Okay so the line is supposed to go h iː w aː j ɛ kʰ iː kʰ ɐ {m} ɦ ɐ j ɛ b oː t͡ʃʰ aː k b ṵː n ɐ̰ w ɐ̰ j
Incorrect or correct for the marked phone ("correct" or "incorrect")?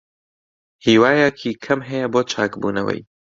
correct